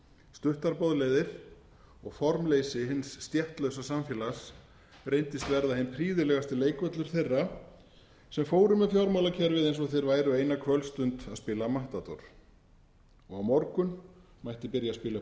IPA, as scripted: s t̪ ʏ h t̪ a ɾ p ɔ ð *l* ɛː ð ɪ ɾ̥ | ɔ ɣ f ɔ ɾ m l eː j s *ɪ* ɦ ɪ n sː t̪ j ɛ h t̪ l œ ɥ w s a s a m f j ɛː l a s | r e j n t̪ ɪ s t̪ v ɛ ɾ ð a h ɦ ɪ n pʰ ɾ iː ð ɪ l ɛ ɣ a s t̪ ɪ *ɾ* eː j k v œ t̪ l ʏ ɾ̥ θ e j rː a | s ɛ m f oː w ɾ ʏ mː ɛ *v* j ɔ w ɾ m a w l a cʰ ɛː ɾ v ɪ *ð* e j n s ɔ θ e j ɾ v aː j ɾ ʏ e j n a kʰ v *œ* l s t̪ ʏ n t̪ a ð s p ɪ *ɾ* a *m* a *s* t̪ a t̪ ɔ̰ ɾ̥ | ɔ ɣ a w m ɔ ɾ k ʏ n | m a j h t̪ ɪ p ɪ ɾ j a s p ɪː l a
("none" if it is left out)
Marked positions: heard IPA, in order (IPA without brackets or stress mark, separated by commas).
l, ɪ, l, f, ð, œ, l, m, h